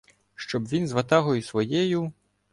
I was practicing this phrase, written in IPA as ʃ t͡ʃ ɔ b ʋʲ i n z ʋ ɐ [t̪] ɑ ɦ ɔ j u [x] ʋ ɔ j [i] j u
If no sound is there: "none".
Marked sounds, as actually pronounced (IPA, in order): t̪, s, ɛ

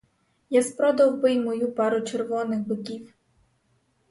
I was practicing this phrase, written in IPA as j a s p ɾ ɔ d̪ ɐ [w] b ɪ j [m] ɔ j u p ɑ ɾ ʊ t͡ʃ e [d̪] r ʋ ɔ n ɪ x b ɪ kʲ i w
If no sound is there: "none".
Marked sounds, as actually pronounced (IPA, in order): w, m, none

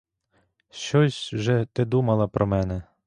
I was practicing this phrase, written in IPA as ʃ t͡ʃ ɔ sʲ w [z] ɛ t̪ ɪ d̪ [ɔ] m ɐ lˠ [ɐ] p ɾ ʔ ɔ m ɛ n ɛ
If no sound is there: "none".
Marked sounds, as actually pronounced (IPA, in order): ʒ, u, ɐ

